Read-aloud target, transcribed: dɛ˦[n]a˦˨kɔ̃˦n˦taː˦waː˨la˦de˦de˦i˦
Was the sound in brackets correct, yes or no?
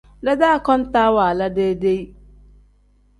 no